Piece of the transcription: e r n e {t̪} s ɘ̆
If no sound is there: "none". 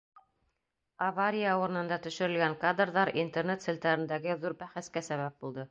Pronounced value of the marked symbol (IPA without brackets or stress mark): t̪